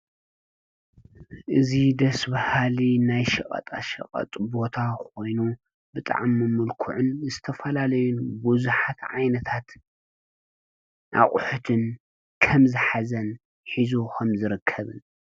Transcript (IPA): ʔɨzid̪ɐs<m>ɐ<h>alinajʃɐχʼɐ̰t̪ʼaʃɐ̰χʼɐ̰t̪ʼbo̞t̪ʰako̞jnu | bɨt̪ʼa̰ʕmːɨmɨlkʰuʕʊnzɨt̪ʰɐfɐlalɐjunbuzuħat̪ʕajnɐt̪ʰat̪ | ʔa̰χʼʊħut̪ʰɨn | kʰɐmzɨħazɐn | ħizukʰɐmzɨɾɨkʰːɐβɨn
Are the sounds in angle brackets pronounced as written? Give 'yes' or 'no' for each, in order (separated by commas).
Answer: no, yes